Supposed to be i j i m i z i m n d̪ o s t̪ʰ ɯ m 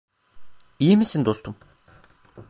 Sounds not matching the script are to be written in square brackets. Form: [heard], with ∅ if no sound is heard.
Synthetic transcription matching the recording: i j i m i [s] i [∅] n d̪ o s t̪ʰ [u] m